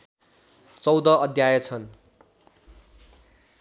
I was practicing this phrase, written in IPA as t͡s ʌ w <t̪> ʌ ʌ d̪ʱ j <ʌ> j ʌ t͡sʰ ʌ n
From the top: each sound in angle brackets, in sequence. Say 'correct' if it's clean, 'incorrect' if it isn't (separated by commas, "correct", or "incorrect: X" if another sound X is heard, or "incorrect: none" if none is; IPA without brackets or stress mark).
incorrect: d̪, incorrect: a